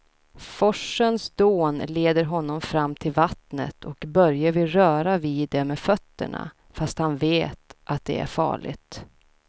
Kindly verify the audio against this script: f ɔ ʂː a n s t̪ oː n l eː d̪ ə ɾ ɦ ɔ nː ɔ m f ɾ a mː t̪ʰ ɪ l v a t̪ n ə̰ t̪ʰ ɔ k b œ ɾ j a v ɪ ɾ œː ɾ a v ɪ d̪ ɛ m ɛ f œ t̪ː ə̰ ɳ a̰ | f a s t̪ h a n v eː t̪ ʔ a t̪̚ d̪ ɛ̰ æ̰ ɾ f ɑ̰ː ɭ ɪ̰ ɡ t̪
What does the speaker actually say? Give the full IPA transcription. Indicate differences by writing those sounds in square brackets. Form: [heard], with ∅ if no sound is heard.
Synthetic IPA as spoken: f ɔ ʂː [ə] n s [d̪] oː n l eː d̪ ə ɾ ɦ ɔ nː ɔ m f ɾ a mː t̪ʰ ɪ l v a t̪ n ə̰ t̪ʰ ɔ k b œ ɾ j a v ɪ ɾ œː ɾ a v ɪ d̪ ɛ m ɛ f œ t̪ː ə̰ ɳ a̰ | f a s t̪ h a n v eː t̪ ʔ a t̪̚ d̪ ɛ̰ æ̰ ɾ f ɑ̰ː ɭ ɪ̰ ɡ t̪